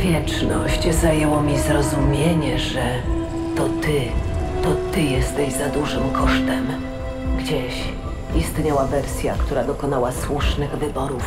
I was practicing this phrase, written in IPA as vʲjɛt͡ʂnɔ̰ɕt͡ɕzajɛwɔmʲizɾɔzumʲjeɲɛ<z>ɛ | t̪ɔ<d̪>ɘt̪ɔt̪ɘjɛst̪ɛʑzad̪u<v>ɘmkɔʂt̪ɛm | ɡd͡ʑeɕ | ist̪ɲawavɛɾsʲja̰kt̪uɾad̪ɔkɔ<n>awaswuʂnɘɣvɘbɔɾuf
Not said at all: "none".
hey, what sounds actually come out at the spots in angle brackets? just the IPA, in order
ʐ, t̪, ʐ, n

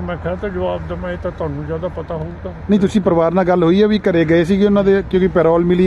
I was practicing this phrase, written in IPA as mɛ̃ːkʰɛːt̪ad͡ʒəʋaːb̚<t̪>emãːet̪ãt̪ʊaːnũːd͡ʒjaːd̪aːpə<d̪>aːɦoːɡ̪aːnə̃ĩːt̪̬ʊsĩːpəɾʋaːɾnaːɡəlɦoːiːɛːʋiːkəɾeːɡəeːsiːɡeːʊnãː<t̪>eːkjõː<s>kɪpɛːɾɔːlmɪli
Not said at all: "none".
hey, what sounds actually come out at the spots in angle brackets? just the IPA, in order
d̪, t̪, d̪, none

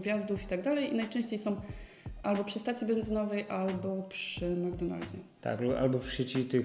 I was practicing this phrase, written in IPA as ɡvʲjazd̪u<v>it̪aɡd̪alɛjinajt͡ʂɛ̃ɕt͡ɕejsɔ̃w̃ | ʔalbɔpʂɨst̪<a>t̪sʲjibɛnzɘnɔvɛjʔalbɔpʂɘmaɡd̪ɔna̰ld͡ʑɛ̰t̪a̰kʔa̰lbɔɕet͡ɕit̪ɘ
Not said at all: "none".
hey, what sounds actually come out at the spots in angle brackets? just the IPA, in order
f, a

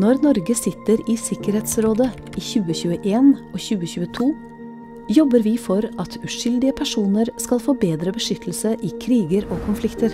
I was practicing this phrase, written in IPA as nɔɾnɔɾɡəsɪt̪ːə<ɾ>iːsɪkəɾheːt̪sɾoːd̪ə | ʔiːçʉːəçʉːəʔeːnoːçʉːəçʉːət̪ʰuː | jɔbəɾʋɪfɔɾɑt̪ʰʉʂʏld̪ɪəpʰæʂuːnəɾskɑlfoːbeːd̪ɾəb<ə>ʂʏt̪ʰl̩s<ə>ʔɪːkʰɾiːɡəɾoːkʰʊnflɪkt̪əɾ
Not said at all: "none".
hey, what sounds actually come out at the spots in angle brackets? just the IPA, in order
ɾ, ə, ə

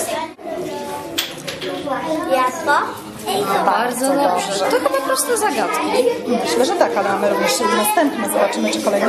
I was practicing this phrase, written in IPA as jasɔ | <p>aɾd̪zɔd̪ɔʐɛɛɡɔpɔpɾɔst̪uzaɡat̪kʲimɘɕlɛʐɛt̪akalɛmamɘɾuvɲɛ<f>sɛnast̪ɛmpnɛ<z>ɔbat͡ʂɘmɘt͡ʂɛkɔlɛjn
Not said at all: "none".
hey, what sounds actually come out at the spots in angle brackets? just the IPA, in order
b, ʂ, z

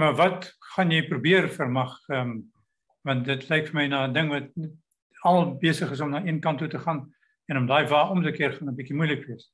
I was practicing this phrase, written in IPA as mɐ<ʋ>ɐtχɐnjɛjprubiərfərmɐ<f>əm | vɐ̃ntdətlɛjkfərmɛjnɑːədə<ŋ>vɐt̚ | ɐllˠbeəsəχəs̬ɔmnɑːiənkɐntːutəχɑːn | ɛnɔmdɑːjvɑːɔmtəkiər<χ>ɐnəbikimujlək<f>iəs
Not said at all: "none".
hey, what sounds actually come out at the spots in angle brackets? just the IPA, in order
v, χ, ŋ, χ, v

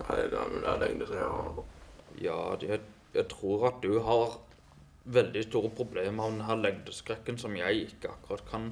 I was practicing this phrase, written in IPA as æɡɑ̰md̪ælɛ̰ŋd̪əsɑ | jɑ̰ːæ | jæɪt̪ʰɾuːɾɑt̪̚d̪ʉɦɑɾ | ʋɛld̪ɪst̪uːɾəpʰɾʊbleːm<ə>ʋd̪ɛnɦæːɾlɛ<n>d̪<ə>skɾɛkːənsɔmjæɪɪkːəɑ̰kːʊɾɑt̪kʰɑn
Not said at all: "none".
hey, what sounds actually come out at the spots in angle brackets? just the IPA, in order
ɑ, ŋ, ə

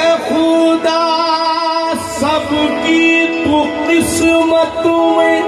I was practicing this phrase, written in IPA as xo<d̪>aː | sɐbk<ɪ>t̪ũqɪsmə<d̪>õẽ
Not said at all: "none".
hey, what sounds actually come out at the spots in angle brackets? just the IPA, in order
d̪, i, t̪

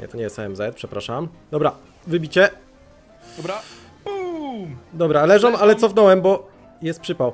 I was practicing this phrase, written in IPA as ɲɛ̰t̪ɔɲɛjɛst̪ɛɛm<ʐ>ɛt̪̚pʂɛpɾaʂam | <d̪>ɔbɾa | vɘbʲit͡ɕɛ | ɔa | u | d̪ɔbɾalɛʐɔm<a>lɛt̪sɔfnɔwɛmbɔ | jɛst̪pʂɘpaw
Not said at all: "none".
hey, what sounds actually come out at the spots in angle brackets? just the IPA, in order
z, d̪, a

